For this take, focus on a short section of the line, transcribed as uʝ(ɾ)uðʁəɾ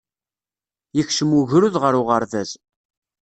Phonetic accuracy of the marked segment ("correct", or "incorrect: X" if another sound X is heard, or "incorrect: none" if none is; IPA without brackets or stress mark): correct